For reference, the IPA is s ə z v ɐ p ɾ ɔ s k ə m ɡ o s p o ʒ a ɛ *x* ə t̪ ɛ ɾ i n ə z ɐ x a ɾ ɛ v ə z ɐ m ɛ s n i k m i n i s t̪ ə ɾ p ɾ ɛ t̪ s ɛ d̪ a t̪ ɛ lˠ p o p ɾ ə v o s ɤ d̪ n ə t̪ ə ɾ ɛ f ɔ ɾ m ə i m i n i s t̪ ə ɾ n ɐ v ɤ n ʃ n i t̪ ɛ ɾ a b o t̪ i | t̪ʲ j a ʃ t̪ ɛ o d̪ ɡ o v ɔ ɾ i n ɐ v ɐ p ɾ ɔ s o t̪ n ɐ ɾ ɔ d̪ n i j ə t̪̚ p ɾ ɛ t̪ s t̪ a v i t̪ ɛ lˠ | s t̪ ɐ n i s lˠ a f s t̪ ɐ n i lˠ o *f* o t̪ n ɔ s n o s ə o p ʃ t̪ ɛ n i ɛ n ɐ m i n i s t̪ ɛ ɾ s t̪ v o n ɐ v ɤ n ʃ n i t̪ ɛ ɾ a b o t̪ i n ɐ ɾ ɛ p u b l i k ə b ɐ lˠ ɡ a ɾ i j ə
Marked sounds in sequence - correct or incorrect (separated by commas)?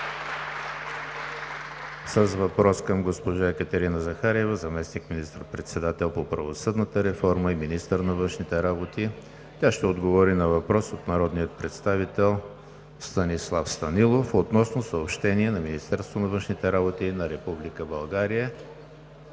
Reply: incorrect, correct